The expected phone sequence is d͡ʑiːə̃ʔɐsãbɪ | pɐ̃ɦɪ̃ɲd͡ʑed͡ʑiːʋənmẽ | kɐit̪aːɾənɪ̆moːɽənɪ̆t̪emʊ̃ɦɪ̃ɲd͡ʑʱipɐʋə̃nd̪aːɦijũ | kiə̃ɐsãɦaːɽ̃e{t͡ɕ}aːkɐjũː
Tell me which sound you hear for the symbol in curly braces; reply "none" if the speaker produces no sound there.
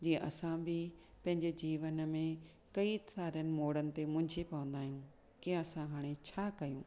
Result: t͡ɕʰ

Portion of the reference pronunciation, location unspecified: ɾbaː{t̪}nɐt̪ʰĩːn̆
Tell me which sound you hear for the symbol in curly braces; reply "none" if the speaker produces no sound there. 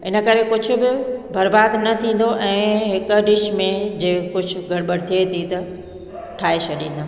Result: d̪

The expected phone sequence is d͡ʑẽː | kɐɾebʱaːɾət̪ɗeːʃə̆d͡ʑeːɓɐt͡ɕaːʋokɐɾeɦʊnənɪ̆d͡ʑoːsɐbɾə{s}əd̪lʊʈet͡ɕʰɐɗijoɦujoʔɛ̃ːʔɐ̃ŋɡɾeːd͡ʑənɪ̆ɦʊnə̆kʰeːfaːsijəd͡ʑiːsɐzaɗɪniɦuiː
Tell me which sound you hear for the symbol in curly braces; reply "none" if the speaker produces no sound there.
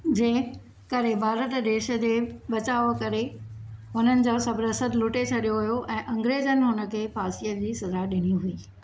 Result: s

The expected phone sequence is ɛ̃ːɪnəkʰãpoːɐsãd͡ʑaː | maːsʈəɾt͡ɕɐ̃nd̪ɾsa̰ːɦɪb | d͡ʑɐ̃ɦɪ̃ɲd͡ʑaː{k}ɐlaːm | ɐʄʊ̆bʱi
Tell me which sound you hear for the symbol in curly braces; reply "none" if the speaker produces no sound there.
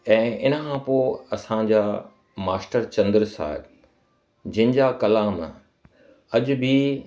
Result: k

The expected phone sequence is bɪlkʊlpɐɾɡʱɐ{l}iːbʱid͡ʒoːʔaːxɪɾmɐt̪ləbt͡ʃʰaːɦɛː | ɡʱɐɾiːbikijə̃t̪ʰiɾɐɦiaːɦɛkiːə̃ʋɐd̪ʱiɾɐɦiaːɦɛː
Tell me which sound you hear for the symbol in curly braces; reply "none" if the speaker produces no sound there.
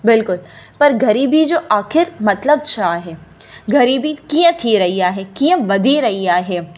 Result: ɾ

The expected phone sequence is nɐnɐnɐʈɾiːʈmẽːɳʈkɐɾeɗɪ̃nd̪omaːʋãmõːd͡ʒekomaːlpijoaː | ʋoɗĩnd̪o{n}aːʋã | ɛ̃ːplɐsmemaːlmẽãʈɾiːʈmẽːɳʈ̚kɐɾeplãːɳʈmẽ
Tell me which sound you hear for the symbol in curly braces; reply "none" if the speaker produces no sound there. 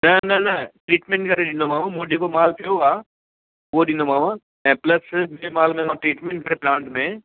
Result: m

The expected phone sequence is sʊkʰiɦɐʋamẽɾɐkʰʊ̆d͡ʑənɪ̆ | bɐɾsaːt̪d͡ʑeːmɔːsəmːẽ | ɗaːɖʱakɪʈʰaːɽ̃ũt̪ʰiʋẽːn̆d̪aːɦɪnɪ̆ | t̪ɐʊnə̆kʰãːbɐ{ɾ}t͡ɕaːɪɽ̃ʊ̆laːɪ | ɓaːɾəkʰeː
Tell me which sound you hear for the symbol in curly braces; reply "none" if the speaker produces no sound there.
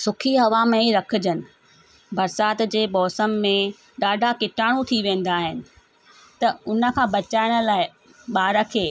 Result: none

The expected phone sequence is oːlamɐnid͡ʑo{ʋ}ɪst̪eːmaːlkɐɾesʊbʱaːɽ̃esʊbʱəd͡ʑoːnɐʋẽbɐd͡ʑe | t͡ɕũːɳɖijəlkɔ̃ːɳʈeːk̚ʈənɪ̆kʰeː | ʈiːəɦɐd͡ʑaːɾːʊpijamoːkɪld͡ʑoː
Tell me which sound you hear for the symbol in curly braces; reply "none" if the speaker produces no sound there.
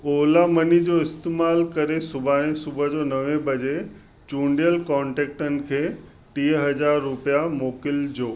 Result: none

